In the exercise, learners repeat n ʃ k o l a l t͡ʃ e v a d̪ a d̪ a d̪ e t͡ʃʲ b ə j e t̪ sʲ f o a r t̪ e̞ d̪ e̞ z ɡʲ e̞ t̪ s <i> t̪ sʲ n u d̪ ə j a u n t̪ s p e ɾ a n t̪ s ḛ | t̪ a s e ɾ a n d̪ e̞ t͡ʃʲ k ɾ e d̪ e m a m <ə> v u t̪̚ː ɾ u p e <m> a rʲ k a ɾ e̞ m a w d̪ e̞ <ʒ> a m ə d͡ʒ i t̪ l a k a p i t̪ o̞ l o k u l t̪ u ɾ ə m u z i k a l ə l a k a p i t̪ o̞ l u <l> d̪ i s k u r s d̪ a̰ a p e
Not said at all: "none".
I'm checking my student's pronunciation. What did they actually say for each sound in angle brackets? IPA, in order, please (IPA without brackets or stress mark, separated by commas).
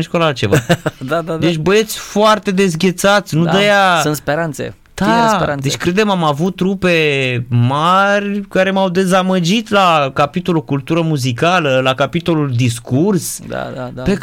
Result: a, a, m, z, l